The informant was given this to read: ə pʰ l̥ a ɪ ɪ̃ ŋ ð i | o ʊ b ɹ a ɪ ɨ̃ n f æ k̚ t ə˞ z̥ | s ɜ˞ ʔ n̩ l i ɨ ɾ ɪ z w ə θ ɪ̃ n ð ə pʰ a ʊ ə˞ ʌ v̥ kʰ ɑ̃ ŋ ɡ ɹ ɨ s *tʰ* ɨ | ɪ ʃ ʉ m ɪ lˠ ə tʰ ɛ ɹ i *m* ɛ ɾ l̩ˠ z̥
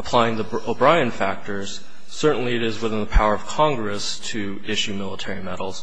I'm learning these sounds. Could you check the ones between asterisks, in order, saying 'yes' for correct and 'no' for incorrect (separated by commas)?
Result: yes, yes